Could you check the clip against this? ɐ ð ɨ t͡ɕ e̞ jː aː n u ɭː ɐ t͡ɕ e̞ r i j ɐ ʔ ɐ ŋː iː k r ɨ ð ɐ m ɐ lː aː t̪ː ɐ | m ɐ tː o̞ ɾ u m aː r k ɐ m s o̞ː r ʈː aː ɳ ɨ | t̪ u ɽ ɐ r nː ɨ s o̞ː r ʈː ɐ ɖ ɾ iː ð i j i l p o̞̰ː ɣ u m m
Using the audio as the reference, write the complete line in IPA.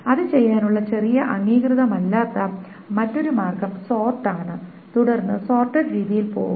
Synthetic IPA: ɐ ð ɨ t͡ɕ e̞ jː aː n u ɭː ɐ t͡ɕ e̞ r i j ɐ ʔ ɐ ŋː iː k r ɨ ð ɐ m ɐ lː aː t̪ː ɐ | m ɐ tː o̞ ɾ u m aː r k ɐ m s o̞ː r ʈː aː ɳ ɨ | t̪ u ɽ ɐ r nː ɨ s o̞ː r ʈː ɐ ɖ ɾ iː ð i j i l p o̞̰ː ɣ u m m